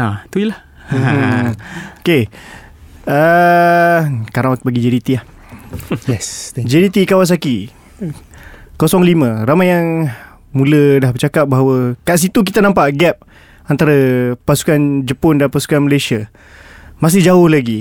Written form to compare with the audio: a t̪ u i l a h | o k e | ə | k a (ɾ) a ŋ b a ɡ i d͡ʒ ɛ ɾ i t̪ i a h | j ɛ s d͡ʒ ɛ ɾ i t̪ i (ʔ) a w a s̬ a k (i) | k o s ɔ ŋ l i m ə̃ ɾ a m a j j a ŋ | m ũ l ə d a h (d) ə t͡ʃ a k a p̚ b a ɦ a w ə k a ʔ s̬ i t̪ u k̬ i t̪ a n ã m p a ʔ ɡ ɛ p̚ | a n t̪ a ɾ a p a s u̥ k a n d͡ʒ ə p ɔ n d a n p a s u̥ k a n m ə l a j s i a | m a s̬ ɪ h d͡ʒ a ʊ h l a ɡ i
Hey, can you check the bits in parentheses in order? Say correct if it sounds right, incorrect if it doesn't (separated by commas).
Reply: correct, incorrect, correct, incorrect